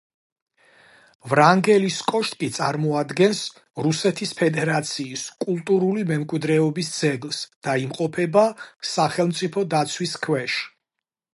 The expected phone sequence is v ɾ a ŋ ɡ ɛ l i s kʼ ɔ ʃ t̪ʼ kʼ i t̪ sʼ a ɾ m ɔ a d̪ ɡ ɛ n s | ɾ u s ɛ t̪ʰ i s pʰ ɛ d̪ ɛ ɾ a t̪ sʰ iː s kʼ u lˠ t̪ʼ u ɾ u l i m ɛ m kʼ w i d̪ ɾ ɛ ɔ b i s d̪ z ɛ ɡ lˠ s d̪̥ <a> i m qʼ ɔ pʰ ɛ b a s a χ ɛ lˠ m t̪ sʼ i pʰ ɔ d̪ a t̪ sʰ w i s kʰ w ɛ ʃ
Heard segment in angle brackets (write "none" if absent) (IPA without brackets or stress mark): a